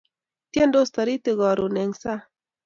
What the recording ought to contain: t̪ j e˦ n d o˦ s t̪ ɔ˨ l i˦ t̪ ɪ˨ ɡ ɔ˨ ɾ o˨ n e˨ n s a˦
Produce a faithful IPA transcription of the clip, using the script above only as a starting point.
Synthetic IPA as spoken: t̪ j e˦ n d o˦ s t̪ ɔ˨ ɾ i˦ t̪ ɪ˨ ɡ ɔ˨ ɾ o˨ n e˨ ŋ s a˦